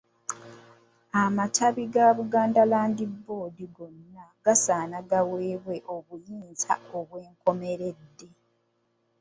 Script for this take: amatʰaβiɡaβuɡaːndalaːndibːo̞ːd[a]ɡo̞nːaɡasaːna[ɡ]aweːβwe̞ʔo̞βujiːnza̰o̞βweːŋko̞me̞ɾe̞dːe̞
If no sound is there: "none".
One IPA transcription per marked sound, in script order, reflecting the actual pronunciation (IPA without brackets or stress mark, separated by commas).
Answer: i, ɡ